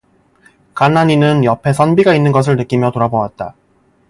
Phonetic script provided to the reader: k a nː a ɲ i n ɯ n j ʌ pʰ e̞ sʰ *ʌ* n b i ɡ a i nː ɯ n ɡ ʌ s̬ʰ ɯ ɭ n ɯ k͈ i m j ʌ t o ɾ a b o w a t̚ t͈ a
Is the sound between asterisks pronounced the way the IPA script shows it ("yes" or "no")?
yes